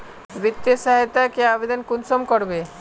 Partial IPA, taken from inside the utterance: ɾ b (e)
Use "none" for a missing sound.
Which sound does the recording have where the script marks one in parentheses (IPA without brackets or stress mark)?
e